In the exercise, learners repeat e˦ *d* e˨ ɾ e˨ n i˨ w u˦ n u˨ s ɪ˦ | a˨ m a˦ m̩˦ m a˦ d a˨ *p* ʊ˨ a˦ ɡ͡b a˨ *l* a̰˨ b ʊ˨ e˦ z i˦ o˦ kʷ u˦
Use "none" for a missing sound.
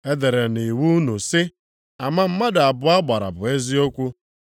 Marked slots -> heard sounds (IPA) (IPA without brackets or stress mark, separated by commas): d, b, ɾ